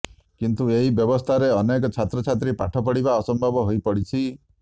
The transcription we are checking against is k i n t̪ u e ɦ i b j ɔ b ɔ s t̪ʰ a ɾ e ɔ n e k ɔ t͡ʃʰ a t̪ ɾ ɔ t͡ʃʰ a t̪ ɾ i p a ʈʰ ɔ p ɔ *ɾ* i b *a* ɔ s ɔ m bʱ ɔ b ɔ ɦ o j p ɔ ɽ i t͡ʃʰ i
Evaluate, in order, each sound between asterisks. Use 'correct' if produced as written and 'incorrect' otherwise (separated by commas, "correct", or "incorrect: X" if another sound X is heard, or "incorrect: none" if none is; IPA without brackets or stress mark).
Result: incorrect: ɽ, correct